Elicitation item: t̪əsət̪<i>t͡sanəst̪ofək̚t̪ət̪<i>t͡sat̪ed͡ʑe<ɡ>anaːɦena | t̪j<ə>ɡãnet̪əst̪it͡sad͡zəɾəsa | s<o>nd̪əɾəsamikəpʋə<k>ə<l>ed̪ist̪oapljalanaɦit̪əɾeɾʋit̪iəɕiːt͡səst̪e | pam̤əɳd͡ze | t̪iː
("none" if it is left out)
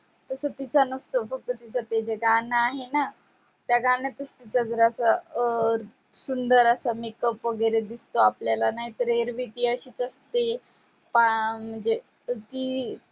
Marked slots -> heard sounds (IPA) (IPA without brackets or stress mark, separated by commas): i, i, ɡ, a, u, ɡ, ɾ